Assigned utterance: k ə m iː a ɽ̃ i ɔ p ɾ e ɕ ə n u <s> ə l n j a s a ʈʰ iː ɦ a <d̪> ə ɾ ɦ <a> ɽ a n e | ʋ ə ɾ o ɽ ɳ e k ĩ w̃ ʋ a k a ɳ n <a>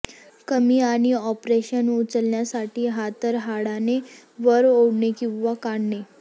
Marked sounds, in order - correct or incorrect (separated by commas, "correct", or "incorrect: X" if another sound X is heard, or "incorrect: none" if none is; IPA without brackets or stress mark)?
incorrect: t͡s, incorrect: t̪, correct, incorrect: e